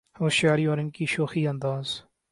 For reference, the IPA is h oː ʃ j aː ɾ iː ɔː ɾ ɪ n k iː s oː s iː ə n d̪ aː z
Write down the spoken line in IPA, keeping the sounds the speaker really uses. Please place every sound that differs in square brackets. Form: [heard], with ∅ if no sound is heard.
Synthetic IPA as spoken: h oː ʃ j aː ɾ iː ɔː ɾ ɪ n k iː [ʃ] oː [x] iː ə n d̪ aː z

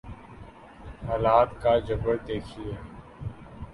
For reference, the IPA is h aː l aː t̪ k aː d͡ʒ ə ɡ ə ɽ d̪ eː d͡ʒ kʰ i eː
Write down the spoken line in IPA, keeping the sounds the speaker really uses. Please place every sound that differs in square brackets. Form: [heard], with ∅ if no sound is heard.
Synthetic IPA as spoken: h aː l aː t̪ k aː d͡ʒ ə [b] ə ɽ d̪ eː [∅] kʰ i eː

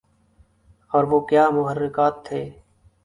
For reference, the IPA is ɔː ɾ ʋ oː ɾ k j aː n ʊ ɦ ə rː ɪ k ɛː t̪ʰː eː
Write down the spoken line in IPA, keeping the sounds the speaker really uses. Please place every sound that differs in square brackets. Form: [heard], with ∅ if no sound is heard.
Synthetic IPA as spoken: ɔː ɾ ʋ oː [∅] k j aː [m] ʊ ɦ ə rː ɪ k [aː] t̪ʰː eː

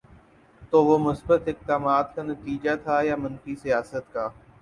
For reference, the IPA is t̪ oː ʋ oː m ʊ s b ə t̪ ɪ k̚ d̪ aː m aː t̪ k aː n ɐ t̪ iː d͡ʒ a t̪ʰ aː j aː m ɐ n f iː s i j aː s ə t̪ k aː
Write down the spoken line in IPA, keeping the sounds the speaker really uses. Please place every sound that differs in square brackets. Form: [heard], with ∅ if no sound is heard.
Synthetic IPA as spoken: t̪ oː ʋ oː m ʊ s b ə t̪ ɪ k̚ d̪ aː m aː t̪ k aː n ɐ t̪ iː d͡ʒ a t̪ʰ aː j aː m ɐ n f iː s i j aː s ə t̪ k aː

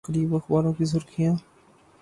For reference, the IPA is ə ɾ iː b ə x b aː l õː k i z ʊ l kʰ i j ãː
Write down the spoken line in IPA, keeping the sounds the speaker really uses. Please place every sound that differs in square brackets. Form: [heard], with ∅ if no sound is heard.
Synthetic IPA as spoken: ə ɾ iː b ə x b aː [ɾ] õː k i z ʊ [ɾ] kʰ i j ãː

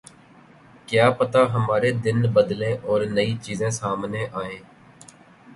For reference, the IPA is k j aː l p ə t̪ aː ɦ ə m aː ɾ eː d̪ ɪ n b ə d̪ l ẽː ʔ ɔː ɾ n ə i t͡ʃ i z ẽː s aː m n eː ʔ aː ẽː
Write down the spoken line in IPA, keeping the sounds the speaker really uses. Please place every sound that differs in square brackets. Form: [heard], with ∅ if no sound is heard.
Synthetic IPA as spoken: k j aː [∅] p ə t̪ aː ɦ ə m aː ɾ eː d̪ ɪ n b ə d̪ l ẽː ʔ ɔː ɾ n ə i t͡ʃ [iː] z ẽː s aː m n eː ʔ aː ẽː

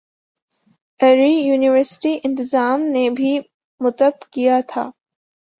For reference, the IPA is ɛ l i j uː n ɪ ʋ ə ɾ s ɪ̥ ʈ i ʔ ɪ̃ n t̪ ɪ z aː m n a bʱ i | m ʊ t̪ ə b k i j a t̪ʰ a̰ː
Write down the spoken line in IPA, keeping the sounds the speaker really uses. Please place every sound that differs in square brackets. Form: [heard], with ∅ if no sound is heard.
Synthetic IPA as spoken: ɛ [ɾ] i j uː n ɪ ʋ ə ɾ s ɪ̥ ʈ i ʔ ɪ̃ n t̪ ɪ z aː m n [e] bʱ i | m ʊ t̪ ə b k i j a t̪ʰ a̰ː

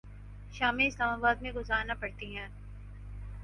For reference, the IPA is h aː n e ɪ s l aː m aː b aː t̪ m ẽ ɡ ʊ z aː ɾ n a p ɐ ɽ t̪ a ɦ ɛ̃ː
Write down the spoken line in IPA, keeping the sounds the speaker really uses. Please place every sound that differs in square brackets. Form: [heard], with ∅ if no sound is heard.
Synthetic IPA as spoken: [ʃ] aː [m] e ɪ s l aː m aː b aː [d̪] m ẽ ɡ ʊ z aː ɾ n a p ɐ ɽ t̪ [i] ɦ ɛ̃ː

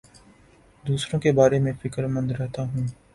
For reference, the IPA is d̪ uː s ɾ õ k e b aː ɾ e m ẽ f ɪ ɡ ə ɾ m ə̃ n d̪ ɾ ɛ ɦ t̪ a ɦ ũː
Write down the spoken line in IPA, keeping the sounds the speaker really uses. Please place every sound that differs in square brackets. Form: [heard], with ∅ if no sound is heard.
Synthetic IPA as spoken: d̪ uː s ɾ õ k e b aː ɾ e m ẽ f ɪ [k] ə ɾ m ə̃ n d̪ ɾ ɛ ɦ t̪ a ɦ ũː

